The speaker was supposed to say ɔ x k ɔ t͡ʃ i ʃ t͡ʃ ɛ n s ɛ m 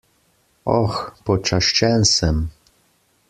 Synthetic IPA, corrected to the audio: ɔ x p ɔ t͡ʃ a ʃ t͡ʃ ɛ n s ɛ m